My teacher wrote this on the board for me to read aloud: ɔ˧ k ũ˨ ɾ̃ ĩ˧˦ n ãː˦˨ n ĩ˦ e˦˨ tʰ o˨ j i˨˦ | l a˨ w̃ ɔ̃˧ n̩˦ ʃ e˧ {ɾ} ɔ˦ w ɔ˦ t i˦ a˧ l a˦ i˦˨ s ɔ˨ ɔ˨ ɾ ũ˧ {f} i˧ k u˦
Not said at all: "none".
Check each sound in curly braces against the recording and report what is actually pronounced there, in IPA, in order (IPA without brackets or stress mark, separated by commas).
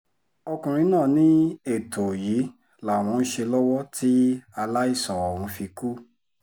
l, f